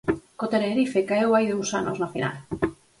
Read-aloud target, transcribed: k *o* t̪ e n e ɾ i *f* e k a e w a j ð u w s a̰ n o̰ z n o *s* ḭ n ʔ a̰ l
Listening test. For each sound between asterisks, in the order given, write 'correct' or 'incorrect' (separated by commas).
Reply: correct, correct, incorrect